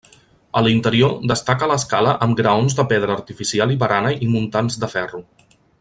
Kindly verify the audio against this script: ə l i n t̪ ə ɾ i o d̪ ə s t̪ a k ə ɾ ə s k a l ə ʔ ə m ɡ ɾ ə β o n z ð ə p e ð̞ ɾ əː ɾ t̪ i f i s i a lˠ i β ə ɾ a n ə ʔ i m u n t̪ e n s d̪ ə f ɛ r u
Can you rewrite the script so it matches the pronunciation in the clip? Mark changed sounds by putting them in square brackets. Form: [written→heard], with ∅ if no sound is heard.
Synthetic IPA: ə l i n t̪ ə ɾ i o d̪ ə s t̪ a k ə [ɾ→l] ə s k a l ə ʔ ə m ɡ ɾ ə [β→∅] o n z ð ə p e ð̞ ɾ əː ɾ t̪ i f i s i a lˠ i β ə ɾ a n ə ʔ i m u n t̪ [e→a] n [s→z] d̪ ə f ɛ r u